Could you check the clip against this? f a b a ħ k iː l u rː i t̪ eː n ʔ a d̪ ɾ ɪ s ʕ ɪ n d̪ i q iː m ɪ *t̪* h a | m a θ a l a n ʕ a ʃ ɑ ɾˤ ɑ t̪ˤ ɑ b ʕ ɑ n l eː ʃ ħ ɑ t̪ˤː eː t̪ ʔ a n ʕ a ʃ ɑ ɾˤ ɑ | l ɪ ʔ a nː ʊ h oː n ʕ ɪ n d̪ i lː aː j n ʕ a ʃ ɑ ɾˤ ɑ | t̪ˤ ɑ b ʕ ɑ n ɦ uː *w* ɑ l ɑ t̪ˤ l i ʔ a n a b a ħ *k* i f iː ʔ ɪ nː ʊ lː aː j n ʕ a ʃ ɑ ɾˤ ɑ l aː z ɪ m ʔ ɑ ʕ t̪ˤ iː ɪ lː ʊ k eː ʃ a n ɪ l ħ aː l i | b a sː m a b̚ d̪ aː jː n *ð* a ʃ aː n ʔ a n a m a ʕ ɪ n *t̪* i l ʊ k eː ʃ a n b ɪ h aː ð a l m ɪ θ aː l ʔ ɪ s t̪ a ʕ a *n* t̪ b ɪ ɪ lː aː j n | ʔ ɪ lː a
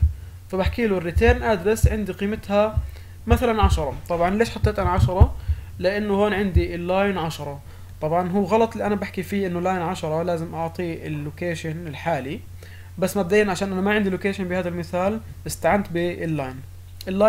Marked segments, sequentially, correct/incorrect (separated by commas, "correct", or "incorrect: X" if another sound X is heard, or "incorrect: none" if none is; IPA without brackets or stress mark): correct, incorrect: ɣ, correct, incorrect: ʕ, incorrect: d̪, correct